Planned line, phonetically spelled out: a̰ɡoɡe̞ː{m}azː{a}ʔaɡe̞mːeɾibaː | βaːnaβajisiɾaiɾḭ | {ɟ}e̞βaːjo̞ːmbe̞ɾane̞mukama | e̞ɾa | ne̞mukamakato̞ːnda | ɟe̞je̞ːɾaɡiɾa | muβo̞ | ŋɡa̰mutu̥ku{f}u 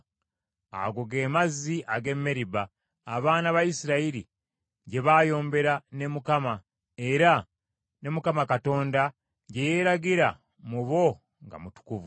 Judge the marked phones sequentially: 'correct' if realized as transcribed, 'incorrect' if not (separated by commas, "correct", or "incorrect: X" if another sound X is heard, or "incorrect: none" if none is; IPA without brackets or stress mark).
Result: correct, incorrect: i, correct, incorrect: v